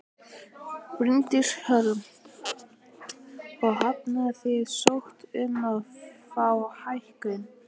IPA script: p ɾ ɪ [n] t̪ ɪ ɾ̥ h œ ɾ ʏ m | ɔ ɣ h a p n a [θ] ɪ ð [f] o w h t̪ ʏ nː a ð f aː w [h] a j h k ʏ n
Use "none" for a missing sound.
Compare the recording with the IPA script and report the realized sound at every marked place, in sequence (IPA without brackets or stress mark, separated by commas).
n, θ, s, h